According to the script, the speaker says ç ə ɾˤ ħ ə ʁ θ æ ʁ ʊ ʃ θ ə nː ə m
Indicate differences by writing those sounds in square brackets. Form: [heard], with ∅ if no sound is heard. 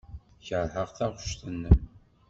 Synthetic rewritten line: ç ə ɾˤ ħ ə ʁ θ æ ʁ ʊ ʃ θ ə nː ə m